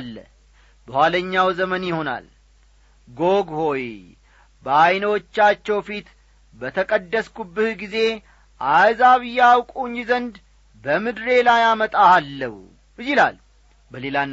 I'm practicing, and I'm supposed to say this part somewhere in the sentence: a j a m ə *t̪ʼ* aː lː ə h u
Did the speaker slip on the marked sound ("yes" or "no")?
no